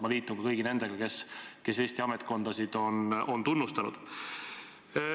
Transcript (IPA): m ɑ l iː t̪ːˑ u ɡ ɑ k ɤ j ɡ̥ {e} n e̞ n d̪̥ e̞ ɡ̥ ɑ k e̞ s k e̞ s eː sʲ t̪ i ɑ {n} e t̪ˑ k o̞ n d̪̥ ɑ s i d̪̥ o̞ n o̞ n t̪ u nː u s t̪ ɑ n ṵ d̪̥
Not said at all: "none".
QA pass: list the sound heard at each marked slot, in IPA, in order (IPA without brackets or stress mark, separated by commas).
i, m